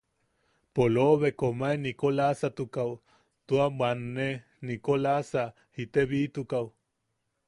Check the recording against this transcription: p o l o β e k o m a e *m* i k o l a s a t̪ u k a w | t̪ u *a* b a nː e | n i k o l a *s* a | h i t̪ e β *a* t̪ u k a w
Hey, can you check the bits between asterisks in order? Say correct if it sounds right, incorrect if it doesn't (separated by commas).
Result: incorrect, correct, correct, incorrect